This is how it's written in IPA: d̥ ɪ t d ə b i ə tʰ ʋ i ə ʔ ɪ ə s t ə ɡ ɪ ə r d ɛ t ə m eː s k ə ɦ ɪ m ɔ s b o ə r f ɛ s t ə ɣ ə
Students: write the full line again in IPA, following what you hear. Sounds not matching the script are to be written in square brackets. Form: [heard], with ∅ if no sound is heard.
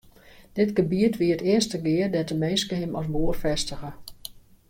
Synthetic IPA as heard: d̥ ɪ t [ɡ] ə b i ə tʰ ʋ i ə [t] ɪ ə s t ə ɡ ɪ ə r d ɛ t ə m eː s k ə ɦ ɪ m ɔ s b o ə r f ɛ s t ə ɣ ə